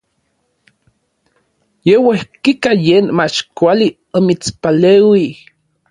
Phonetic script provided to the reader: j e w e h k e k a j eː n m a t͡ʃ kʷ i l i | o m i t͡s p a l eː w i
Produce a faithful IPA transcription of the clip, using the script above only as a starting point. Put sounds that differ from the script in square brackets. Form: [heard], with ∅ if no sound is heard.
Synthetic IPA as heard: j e w e h k [i] k a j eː n m a t͡ʃ kʷ [a] l i | o m i t͡s p a l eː w i